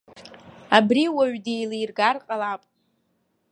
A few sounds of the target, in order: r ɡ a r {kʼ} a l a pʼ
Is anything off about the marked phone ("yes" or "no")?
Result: yes